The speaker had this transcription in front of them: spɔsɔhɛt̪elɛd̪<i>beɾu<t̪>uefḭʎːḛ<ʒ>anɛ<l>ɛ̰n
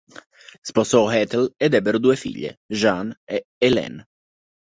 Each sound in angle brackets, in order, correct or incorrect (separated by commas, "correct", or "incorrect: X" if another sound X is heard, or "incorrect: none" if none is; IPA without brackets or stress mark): incorrect: ɛ, incorrect: d̪, correct, correct